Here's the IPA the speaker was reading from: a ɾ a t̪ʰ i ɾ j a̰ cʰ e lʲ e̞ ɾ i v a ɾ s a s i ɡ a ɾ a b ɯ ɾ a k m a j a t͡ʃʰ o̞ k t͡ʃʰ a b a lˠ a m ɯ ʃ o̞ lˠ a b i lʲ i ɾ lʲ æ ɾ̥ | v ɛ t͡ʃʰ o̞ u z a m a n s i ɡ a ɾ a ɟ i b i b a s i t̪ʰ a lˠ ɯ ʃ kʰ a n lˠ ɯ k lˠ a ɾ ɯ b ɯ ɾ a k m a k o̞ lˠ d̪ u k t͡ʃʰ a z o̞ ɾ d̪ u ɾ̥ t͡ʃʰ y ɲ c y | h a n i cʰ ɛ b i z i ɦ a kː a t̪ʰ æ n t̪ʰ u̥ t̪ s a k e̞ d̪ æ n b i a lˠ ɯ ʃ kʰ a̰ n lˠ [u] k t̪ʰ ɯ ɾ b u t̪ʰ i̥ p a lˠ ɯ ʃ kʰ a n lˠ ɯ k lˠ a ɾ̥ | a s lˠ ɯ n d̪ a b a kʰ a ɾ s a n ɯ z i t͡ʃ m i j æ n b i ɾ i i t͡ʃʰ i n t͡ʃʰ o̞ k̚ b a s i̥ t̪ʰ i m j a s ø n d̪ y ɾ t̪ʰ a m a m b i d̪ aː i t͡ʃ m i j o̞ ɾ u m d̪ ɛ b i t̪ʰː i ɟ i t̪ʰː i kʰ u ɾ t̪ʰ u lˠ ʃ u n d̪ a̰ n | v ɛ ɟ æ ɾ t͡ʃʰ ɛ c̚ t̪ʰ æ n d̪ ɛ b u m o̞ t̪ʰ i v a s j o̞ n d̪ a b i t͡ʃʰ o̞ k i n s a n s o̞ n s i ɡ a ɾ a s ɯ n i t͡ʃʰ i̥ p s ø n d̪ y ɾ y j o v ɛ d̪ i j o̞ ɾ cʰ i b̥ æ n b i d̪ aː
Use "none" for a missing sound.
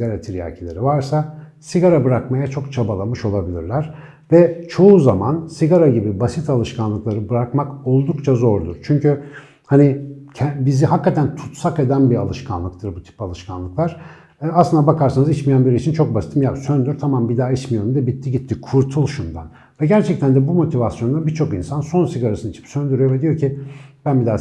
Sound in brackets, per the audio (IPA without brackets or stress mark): ɯ